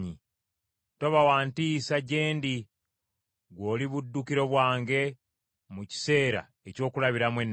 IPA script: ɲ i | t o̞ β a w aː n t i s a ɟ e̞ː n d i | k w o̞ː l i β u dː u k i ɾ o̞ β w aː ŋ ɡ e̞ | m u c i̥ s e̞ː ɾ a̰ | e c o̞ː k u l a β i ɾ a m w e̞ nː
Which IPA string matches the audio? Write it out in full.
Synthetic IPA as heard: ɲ i | t o̞ β a w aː n t i s a ɟ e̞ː n d i | ɡ w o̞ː l i β u dː u k i ɾ o̞ β w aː ŋ ɡ e̞ | m u c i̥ s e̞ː ɾ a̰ | e c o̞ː k u l a β i ɾ a m w e̞ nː